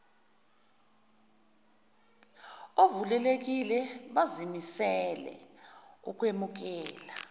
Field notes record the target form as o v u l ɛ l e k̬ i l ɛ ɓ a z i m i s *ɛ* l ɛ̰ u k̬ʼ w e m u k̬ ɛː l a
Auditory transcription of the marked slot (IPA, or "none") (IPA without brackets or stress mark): ɛ